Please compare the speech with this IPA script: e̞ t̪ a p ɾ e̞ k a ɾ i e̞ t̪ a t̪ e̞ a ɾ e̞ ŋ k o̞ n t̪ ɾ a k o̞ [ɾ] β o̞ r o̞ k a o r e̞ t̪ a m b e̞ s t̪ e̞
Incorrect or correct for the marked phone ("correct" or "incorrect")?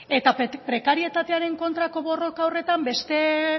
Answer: incorrect